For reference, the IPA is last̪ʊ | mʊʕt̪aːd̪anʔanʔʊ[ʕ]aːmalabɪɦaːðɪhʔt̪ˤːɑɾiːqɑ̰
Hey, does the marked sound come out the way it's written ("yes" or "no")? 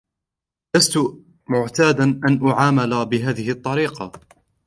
yes